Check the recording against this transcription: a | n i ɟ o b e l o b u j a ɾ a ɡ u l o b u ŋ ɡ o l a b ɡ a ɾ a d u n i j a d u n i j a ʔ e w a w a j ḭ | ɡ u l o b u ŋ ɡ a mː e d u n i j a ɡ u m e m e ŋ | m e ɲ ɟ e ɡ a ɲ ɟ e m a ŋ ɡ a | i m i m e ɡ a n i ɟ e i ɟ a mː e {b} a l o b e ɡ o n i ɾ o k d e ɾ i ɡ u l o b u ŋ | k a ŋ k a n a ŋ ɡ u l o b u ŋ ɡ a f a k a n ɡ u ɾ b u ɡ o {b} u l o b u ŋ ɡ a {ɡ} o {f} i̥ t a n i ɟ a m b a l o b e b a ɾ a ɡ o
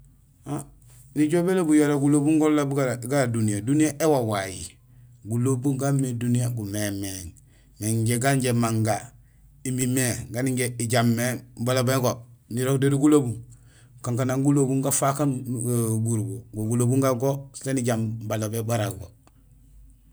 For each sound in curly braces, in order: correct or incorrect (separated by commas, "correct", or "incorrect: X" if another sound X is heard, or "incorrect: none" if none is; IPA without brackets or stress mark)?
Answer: correct, incorrect: ɡ, correct, incorrect: s